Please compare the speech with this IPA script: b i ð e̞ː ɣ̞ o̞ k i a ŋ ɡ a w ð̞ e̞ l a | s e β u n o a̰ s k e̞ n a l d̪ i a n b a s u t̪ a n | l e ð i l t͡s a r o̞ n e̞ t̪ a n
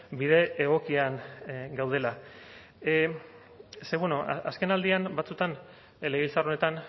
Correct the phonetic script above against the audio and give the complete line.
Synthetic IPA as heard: b i ð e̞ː ɣ̞ o̞ k i a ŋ ɡ a w ð̞ e̞ l a | s e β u n o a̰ s k e̞ n a l d̪ i a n b a t͡s u t̪ a n | l e ɣ i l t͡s a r o̞ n e̞ t̪ a n